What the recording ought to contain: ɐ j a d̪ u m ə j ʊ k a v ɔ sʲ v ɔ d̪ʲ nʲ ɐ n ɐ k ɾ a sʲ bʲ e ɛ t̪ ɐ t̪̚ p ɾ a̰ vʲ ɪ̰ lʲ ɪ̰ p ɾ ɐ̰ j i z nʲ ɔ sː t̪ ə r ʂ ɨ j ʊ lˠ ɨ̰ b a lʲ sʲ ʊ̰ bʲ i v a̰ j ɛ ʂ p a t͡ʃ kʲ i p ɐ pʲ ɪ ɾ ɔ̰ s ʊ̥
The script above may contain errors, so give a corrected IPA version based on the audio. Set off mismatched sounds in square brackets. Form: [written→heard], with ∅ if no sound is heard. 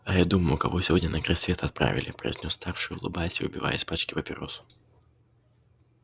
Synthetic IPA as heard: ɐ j a d̪ u m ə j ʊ k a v ɔ sʲ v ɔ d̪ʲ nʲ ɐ n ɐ k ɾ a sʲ [bʲ→vʲ] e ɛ t̪ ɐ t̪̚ p ɾ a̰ vʲ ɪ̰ lʲ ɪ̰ p ɾ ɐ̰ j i z nʲ ɔ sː t̪ [ə→a] r ʂ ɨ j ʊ lˠ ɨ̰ b a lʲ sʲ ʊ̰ bʲ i v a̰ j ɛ [ʂ→s] p a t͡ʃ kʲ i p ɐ pʲ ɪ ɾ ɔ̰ s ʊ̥